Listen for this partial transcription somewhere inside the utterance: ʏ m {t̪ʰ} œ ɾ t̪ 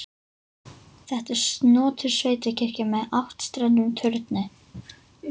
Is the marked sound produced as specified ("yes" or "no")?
yes